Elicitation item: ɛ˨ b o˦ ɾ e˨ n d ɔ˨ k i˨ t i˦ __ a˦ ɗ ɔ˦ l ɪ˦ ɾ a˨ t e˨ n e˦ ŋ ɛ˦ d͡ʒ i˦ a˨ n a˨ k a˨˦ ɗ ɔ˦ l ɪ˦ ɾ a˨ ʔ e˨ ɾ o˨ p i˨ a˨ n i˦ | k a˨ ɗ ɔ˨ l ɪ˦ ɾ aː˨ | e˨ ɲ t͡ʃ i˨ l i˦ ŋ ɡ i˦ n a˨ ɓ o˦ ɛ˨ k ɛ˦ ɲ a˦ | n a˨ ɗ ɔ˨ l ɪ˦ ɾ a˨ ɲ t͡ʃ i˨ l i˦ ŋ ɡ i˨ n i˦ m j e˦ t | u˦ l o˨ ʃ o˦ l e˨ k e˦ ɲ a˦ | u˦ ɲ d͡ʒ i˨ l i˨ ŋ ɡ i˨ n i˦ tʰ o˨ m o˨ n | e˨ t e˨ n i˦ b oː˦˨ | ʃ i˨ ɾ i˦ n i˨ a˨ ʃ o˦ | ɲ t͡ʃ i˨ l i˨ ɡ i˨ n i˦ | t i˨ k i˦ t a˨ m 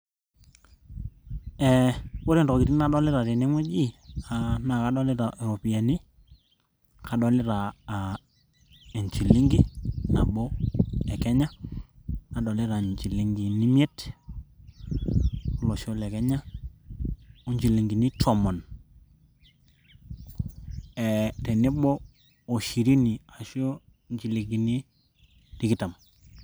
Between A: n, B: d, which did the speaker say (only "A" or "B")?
A